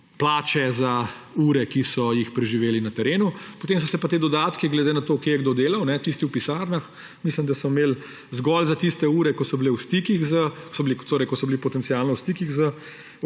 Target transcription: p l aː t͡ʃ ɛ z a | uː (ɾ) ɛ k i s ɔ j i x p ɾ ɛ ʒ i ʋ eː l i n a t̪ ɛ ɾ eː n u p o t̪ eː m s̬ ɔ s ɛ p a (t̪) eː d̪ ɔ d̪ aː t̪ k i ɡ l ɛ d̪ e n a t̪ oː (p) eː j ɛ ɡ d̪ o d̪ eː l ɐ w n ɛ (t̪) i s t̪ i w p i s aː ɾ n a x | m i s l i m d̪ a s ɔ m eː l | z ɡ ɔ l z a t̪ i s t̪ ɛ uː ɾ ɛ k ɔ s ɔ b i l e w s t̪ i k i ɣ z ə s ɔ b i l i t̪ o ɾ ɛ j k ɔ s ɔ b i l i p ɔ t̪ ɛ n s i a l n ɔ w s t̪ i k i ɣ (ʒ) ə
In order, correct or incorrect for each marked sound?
correct, correct, incorrect: k, correct, incorrect: z

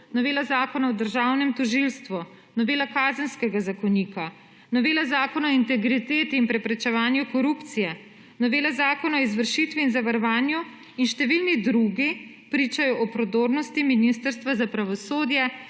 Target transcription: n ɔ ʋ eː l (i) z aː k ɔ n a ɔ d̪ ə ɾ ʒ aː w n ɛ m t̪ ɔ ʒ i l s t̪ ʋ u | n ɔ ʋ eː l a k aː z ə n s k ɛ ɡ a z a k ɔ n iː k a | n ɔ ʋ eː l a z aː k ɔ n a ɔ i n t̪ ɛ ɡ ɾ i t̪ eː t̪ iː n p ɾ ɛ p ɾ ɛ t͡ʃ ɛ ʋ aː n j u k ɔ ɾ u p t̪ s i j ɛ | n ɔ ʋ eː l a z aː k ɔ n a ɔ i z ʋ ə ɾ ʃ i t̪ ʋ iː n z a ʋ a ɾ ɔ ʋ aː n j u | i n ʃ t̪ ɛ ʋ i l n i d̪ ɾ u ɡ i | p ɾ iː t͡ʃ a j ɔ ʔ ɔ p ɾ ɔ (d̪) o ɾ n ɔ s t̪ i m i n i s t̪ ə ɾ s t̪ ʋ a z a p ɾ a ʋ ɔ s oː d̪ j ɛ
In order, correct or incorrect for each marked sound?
incorrect: a, correct

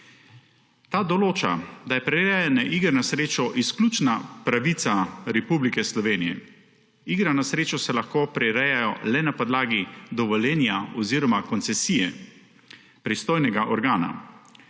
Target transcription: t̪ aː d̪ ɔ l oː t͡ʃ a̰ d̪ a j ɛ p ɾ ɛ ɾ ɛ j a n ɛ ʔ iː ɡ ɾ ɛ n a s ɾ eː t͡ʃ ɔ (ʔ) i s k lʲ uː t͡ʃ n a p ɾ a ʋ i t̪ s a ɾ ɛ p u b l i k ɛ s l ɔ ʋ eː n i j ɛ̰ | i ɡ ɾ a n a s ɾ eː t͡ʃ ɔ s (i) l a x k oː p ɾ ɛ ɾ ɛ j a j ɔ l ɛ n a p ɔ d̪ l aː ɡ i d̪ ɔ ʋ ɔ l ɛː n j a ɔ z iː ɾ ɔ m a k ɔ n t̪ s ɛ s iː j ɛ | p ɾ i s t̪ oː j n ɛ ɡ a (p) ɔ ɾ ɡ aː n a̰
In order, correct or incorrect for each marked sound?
correct, incorrect: ɛ, incorrect: ʔ

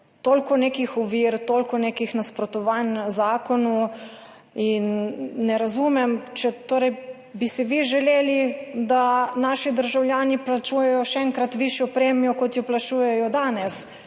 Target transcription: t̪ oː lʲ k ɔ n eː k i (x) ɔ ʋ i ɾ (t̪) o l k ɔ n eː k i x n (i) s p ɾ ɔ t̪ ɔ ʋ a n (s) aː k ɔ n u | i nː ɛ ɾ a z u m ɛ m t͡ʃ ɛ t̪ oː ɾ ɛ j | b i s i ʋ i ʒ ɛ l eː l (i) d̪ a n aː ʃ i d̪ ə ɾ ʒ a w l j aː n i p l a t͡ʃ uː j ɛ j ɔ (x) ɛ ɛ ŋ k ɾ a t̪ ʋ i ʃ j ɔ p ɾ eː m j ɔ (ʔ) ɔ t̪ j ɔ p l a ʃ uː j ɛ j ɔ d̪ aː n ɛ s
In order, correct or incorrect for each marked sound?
correct, correct, incorrect: a, incorrect: z, correct, incorrect: ʃ, incorrect: k

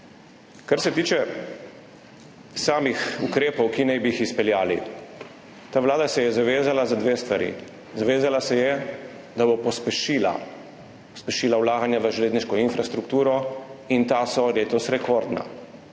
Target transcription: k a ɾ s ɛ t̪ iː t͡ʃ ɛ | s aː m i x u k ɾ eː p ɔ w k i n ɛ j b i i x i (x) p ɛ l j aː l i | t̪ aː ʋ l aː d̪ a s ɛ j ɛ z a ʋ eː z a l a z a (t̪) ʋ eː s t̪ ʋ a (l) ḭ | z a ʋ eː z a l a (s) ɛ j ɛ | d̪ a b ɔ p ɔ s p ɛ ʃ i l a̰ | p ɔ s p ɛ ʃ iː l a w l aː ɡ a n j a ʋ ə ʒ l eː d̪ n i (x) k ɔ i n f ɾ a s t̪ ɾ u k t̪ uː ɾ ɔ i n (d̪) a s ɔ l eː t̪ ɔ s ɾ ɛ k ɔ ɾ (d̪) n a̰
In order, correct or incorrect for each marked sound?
incorrect: s, incorrect: d̪, incorrect: ɾ, correct, incorrect: ʃ, incorrect: t̪, correct

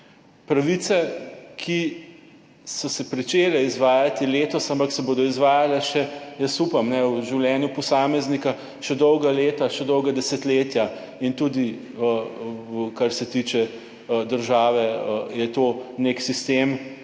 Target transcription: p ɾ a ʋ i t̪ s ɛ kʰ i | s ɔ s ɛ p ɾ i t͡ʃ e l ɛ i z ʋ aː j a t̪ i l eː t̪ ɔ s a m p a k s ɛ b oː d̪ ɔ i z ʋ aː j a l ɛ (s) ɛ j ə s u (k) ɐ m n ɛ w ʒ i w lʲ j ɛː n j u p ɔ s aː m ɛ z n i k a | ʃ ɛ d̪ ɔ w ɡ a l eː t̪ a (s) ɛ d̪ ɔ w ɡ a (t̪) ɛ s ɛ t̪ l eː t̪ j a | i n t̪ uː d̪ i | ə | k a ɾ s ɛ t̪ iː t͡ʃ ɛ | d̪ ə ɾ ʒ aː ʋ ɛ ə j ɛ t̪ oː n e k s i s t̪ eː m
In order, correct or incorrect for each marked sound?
incorrect: ʃ, incorrect: p, incorrect: ʃ, incorrect: d̪

